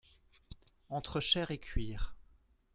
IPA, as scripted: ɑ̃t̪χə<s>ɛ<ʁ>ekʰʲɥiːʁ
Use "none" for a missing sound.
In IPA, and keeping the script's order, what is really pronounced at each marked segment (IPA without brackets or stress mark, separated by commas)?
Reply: ʃ, ʁ